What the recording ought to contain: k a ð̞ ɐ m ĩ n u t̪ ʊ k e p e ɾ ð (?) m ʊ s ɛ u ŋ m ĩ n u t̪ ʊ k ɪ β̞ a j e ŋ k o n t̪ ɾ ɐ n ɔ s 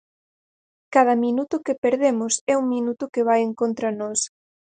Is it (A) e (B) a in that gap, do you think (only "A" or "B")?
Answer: A